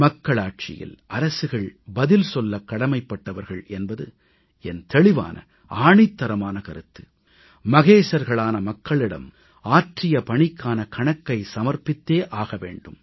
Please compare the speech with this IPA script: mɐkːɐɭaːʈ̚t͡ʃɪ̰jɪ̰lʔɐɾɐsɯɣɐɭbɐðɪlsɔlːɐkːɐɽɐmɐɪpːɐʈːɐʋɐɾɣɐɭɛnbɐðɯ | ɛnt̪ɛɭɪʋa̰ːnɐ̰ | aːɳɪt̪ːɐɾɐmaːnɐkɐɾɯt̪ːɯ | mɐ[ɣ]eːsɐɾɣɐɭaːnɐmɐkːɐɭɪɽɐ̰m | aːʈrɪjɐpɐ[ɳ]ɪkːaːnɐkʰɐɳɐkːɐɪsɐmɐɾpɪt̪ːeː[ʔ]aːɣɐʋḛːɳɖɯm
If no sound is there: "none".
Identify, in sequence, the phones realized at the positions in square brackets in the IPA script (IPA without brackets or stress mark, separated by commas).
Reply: ɣ, ɳ, ʔ